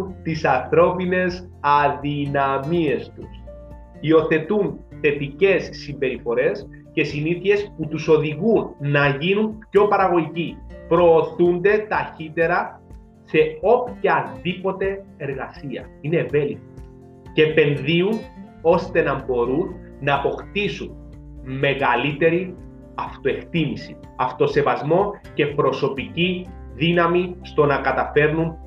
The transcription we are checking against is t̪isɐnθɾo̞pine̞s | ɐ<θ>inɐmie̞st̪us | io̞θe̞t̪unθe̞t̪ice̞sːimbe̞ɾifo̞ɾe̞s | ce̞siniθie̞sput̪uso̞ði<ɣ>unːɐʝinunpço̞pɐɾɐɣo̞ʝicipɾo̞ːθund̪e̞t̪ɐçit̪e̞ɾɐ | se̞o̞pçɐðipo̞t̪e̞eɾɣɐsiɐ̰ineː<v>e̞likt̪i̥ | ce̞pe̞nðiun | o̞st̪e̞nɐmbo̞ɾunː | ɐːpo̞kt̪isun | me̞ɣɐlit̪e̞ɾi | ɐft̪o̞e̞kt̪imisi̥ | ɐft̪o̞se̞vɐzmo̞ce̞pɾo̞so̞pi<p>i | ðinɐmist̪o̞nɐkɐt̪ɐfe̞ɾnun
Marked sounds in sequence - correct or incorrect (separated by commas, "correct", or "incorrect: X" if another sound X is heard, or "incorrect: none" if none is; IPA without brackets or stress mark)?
incorrect: ð, correct, correct, incorrect: c